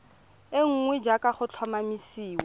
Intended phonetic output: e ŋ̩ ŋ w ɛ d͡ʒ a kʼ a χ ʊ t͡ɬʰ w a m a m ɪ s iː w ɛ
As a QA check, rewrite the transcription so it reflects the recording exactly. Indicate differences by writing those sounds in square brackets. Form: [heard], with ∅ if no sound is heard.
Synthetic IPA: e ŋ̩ ŋ w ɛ d͡ʒ a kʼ a χ ʊ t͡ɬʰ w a m a m [i] s iː w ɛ